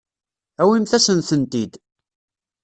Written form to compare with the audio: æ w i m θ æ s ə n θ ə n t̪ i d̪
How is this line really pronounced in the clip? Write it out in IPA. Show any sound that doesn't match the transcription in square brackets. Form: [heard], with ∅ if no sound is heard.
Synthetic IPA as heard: æ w i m θ æ s ə n θ ə n t̪ i d̪